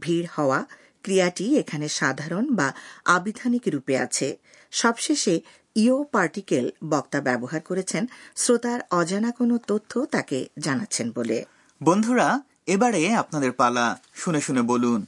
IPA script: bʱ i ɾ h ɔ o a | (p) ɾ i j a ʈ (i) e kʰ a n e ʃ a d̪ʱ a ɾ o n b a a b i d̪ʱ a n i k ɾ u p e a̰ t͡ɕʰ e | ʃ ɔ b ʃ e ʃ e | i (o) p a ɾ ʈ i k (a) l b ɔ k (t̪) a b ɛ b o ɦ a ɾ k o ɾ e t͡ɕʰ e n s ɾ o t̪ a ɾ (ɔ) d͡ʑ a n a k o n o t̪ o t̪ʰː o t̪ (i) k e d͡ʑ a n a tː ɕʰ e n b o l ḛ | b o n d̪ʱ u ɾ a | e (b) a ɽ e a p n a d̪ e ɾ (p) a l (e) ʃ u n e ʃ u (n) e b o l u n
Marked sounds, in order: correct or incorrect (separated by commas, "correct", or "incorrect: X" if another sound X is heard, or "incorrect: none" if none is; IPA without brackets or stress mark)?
incorrect: k, correct, correct, incorrect: e, correct, correct, incorrect: a, correct, correct, incorrect: a, correct